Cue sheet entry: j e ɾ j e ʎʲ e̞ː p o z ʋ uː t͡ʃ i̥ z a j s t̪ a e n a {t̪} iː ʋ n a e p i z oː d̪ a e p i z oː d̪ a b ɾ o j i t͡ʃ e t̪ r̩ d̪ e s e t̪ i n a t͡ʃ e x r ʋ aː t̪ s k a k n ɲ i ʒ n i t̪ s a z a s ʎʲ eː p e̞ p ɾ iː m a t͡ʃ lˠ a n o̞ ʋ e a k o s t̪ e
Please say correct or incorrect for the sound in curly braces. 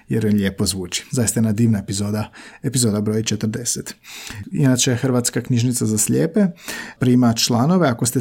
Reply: incorrect